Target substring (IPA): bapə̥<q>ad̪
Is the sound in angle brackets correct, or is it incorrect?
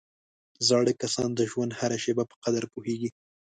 correct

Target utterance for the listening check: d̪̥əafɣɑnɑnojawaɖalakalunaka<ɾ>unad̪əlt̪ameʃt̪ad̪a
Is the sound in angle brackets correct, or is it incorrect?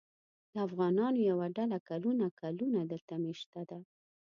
incorrect: l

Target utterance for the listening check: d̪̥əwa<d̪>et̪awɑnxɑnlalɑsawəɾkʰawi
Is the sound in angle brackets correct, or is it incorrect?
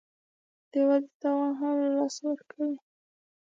correct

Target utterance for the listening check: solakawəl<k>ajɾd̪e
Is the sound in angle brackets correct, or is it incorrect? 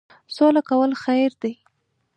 incorrect: x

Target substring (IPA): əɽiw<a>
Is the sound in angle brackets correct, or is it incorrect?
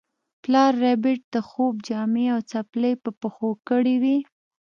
incorrect: i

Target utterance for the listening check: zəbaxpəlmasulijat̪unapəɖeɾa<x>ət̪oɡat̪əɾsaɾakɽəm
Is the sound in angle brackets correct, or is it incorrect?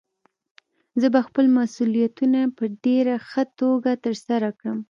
correct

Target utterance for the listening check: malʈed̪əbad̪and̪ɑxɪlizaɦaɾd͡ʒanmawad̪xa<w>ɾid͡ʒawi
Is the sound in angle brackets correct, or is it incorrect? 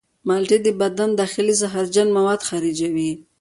incorrect: none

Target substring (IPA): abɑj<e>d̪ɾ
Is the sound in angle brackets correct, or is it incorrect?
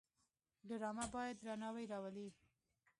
incorrect: a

